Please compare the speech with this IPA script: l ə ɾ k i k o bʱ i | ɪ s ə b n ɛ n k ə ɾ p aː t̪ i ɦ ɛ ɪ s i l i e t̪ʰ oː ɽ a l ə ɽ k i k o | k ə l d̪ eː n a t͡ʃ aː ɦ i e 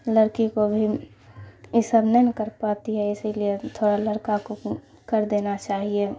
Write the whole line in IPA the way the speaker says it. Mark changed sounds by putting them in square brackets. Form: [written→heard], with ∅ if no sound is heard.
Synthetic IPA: l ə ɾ k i k o bʱ i | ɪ s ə b n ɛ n k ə ɾ p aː t̪ i ɦ ɛ ɪ s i l i e t̪ʰ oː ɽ a l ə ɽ k [i→a] k o | k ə [l→ɾ] d̪ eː n a t͡ʃ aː ɦ i e